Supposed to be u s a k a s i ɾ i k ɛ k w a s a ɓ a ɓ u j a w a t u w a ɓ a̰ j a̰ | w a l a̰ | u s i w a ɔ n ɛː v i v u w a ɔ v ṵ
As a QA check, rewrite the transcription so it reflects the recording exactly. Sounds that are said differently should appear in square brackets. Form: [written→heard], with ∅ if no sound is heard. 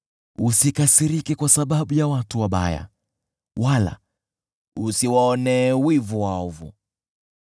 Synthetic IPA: u s [a→i] k a s i ɾ i k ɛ k w a s a ɓ a ɓ u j a w a t u w a ɓ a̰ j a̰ | w a l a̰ | u s i w a ɔ n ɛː [v→w] i v u w a ɔ v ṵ